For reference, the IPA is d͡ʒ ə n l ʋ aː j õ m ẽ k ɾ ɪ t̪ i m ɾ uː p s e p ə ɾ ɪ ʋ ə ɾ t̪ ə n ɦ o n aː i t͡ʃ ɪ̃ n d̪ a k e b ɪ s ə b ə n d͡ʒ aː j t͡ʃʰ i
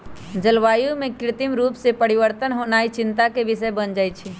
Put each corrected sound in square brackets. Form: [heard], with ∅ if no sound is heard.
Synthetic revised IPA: d͡ʒ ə [∅] l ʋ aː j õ m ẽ k ɾ ɪ t̪ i m ɾ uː p s e p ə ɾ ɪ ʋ ə ɾ t̪ ə n ɦ o n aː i t͡ʃ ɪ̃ n [t̪] a k e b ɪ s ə b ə n d͡ʒ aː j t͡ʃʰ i